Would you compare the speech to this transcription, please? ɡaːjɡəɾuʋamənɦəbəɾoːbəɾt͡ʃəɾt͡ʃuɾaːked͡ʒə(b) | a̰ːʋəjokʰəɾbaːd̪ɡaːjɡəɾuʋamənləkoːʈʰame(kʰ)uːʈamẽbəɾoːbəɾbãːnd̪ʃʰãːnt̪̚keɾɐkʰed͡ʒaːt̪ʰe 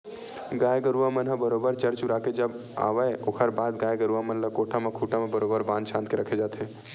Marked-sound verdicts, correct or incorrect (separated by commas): correct, correct